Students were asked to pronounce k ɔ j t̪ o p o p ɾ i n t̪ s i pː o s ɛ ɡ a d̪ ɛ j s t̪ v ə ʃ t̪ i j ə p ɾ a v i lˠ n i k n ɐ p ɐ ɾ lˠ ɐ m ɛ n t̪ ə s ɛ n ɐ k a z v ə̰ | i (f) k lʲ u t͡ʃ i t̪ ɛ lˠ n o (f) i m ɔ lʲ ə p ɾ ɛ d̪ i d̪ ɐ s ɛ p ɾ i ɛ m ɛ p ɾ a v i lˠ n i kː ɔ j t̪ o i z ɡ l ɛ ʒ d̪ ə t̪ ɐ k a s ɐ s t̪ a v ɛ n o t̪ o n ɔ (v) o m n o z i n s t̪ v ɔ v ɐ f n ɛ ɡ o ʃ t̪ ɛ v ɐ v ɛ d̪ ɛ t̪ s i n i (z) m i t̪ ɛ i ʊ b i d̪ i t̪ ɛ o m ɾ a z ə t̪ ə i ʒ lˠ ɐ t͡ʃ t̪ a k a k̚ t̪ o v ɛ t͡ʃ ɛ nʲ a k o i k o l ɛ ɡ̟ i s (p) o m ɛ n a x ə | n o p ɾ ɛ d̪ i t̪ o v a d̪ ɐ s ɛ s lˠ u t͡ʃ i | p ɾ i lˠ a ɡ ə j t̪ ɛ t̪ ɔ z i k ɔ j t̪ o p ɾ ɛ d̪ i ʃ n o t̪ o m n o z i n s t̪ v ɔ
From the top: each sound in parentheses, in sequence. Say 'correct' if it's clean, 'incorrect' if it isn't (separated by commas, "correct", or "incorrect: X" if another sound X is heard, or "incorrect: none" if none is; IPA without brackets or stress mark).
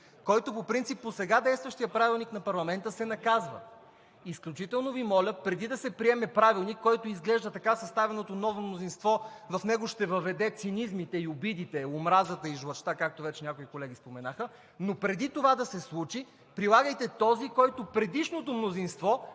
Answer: incorrect: s, incorrect: v, correct, correct, correct